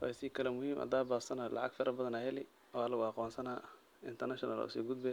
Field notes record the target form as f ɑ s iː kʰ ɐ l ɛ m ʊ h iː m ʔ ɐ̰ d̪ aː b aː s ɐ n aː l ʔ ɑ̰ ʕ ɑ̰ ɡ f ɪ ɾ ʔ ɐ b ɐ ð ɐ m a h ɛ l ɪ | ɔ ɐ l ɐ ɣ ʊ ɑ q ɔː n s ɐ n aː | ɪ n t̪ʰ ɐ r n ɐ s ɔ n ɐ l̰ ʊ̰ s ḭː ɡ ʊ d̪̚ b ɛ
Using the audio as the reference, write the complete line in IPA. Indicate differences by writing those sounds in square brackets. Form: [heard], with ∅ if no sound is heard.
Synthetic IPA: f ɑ s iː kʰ ɐ l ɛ m ʊ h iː m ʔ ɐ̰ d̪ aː b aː s ɐ n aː l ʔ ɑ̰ ʕ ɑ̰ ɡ f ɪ ɾ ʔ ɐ b ɐ ð ɐ [n] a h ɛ l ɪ | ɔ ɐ l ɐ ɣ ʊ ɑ q ɔː n s ɐ n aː | ɪ n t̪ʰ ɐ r n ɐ [ʃ] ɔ n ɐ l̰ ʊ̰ s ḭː ɡ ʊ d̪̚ b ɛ

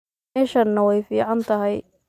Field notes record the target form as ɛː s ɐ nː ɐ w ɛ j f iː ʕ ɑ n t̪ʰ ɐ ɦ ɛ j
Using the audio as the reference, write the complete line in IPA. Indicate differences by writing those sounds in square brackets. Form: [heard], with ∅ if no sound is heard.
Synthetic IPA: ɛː [ʃ] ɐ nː ɐ w ɛ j f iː ʕ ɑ n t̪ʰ ɐ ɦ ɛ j

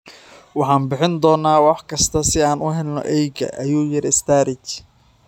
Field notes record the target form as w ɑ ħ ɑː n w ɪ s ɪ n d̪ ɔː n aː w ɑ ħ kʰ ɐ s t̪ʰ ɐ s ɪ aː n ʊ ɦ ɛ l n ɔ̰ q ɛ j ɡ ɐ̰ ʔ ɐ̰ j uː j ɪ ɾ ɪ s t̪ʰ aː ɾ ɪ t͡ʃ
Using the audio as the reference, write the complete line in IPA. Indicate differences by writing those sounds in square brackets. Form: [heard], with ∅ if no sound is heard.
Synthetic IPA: w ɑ ħ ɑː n [b] ɪ [ħ] ɪ n d̪ ɔː n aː w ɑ ħ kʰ ɐ s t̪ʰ ɐ s ɪ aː n ʊ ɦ ɛ l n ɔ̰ [ʔ] ɛ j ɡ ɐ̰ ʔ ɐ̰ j uː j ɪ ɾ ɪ s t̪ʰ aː ɾ ɪ t͡ʃ

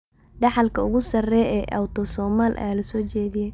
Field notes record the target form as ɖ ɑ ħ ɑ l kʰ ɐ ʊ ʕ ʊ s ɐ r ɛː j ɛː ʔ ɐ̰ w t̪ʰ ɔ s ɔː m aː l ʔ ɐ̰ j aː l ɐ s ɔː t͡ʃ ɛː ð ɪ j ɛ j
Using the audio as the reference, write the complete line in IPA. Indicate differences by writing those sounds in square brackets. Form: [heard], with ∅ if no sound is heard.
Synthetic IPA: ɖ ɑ ħ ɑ l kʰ ɐ ʊ [ɣ] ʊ s ɐ r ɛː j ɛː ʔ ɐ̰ w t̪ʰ ɔ s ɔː m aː l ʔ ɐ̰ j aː l ɐ s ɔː t͡ʃ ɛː ð ɪ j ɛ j

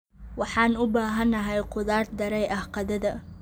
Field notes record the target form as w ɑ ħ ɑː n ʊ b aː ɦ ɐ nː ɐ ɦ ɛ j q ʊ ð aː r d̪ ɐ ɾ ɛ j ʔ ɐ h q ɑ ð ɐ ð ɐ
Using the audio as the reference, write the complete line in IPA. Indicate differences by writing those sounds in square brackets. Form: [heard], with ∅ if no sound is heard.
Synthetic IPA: w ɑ ħ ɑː n ʊ b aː ɦ ɐ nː ɐ ɦ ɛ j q ʊ ð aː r d̪ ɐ ɾ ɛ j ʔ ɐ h q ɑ ð ɐ ð ɐ

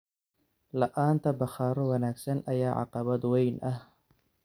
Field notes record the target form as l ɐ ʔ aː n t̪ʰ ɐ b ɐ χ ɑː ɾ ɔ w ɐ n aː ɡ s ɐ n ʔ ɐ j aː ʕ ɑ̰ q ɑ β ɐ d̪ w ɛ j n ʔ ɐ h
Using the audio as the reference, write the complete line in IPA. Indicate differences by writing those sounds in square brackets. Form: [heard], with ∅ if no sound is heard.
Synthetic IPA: l ɐ ʔ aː n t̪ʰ ɐ b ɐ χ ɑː ɾ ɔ w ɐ n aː ɡ s ɐ n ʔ ɐ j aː ʕ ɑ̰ q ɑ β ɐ d̪ w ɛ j n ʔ ɐ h

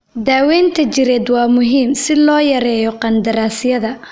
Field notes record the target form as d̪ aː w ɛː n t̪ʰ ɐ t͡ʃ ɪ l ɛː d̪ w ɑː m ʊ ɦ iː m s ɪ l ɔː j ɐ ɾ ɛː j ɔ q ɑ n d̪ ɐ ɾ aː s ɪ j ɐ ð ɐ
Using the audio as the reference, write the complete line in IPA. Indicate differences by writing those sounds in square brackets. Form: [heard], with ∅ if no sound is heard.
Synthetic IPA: d̪ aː w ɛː n t̪ʰ ɐ t͡ʃ ɪ [ɾ] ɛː d̪ w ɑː m ʊ ɦ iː m s ɪ l ɔː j ɐ ɾ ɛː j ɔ q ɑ n d̪ ɐ ɾ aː s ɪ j ɐ ð ɐ

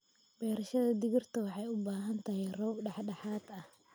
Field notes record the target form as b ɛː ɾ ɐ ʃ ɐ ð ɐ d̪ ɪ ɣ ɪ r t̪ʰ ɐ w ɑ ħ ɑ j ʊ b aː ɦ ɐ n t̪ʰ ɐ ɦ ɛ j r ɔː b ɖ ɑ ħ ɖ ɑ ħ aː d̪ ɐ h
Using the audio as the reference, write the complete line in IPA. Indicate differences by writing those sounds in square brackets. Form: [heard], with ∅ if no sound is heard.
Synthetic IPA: b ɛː ɾ ɐ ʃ ɐ ð ɐ d̪ ɪ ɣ ɪ r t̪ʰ ɐ w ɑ ħ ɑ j ʊ b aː ɦ ɐ n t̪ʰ ɐ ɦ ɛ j r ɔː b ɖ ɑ ħ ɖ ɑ ħ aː d̪ ɐ h

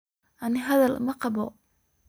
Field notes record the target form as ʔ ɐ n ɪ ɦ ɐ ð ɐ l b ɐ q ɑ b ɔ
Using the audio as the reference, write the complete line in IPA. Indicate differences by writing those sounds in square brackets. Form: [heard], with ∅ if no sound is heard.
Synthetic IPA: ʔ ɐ n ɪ ɦ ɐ ð ɐ l [m] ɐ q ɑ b ɔ

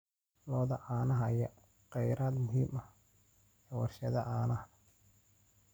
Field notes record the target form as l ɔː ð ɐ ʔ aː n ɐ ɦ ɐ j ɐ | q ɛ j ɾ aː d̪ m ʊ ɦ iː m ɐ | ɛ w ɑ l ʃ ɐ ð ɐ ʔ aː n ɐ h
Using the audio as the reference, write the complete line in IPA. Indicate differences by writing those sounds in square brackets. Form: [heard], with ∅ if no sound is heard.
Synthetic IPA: l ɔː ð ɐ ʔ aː n ɐ ɦ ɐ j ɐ | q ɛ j ɾ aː d̪ m ʊ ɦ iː m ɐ | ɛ w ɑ [r] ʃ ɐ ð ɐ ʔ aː n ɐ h

